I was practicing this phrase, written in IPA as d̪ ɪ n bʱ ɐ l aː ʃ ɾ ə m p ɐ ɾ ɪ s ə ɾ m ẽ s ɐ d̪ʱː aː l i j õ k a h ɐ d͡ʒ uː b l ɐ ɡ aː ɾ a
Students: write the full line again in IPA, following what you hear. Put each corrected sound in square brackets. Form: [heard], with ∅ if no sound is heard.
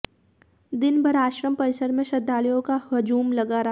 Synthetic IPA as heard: d̪ ɪ n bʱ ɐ [ɾ] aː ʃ ɾ ə m p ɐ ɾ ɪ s ə ɾ m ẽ [ʃ] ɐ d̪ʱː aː l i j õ k a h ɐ d͡ʒ uː [m] l ɐ ɡ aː ɾ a